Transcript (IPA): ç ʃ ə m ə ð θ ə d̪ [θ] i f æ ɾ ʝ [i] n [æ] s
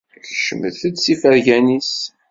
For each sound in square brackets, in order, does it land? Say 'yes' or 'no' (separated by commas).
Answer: no, no, no